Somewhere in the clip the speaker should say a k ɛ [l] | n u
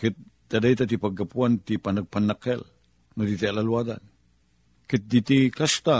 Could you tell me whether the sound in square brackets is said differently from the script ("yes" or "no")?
no